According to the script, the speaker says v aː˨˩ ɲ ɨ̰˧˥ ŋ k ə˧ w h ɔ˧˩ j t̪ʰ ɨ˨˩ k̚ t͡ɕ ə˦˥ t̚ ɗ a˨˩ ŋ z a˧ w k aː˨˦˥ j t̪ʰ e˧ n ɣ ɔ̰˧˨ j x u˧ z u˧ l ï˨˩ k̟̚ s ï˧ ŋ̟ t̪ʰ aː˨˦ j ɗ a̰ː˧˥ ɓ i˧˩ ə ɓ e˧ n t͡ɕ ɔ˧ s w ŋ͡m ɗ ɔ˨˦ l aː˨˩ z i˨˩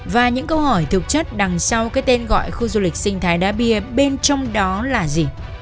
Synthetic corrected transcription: v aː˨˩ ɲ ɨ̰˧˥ ŋ k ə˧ w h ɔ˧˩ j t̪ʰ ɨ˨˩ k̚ t͡ɕ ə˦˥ t̚ ɗ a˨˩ ŋ s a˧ w k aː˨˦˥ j t̪ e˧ n ɣ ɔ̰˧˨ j x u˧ z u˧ l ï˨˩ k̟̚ s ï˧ ŋ̟ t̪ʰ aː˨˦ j ɗ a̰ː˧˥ ɓ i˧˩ ə ɓ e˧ n t͡ɕ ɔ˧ w ŋ͡m ɗ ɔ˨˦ l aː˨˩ z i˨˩

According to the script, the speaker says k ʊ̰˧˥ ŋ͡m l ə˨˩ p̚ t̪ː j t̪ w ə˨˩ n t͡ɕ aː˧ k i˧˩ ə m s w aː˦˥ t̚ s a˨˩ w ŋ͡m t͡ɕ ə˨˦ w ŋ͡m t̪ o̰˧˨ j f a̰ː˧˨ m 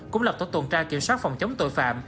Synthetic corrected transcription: k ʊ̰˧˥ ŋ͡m l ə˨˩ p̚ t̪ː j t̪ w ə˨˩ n t͡ɕ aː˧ k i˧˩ ə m s w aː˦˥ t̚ f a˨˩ w ŋ͡m t͡ɕ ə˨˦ w ŋ͡m t̪ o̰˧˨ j f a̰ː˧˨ m

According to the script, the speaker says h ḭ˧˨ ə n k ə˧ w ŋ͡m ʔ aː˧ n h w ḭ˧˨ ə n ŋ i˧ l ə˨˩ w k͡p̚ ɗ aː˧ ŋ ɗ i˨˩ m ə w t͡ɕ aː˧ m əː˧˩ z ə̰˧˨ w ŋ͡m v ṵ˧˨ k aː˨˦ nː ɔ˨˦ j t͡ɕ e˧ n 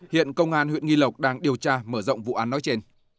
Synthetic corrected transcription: h ḭ˧˨ ə n k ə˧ w ŋ͡m ʔ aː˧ n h w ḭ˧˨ ə n ŋ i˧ l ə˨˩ w k͡p̚ ɗ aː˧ ŋ ɗ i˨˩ ə w t͡ɕ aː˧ m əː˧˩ z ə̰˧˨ w ŋ͡m v ṵ˧˨ ʔ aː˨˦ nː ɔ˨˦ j t͡ɕ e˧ n

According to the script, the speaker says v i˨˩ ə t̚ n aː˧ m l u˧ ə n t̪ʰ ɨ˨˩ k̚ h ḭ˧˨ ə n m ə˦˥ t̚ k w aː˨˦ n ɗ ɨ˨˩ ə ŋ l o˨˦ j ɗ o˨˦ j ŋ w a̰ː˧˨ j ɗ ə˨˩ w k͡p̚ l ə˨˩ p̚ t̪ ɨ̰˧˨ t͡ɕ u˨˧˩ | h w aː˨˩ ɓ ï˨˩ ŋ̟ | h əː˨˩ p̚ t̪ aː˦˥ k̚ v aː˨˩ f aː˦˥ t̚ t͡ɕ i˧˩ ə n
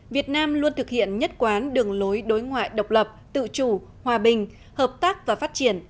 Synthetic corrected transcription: v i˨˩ ə t̚ n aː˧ m l u˧ ə n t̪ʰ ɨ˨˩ k̚ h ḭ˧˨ ə n ɲ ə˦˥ t̚ k w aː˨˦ n ɗ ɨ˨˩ ə ŋ l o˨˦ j ɗ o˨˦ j ŋ w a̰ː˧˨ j ɗ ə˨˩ w k͡p̚ l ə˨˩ p̚ t̪ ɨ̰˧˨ t͡ɕ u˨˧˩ | h w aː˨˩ ɓ ï˨˩ ŋ̟ | h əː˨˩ p̚ t̪ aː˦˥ k̚ v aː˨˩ f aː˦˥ t̚ t͡ɕ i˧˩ ə n

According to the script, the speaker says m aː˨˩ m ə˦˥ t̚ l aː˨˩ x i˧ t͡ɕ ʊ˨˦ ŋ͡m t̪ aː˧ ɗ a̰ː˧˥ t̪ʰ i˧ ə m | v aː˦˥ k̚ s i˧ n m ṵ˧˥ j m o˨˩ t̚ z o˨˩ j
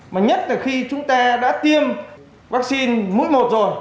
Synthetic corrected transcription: m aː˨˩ ɲ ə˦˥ t̚ l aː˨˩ x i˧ t͡ɕ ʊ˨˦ ŋ͡m t̪ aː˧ ɗ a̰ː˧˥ t̪ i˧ ə m | v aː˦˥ k̚ s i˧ n m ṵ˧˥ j m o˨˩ t̚ z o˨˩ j

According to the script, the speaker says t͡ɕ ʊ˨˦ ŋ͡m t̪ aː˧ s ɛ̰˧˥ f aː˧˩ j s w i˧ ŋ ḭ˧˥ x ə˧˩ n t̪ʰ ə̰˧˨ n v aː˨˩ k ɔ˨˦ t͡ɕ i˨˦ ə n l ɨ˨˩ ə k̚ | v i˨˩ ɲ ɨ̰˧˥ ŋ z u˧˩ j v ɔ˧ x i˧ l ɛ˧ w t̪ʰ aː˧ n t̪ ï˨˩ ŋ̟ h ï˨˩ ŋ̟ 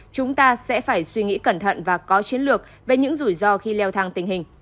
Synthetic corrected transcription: t͡ɕ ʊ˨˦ ŋ͡m t̪ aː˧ s ɛ̰˧˥ f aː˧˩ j s w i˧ ŋ ḭ˧˥ k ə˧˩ n t̪ʰ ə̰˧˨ n v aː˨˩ k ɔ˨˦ t͡ɕ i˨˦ ə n l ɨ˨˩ ə k̚ | v e˨˩ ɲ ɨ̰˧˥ ŋ z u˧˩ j z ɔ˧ x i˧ l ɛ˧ w t̪ʰ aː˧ ŋ t̪ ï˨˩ ŋ̟ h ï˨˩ ŋ̟

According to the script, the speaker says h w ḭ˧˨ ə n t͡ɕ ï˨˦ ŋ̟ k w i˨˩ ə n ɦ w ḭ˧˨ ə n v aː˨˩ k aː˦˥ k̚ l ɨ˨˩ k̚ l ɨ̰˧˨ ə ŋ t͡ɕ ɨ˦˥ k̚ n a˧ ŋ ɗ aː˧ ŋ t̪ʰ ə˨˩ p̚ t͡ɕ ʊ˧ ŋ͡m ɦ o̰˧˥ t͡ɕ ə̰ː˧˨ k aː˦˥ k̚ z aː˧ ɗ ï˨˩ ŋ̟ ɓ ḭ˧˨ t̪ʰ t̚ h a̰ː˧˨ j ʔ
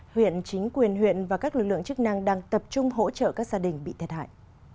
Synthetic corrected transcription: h w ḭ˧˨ ə n t͡ɕ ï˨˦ ŋ̟ k w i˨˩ ə n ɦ w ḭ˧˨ ə n v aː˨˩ k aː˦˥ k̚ l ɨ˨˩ k̚ l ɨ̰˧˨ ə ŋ t͡ɕ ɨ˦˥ k̚ n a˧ ŋ ɗ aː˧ ŋ t̪ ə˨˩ p̚ t͡ɕ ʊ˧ ŋ͡m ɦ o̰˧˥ t͡ɕ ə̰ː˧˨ k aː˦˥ k̚ z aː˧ ɗ ï˨˩ ŋ̟ ɓ ḭ˧˨ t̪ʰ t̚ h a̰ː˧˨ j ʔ

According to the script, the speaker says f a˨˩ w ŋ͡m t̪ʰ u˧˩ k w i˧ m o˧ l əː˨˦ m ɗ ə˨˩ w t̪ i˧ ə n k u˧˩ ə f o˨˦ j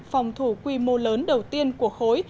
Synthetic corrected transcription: f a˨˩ w ŋ͡m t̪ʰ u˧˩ k w i˧ m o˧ l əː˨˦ n ɗ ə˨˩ w t̪ i˧ ə n k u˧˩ ə x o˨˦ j

